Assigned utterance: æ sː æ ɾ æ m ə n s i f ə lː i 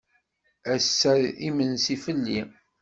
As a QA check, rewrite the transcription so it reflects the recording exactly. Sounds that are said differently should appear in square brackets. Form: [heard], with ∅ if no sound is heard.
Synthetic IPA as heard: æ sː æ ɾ [i] m ə n s i f ə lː i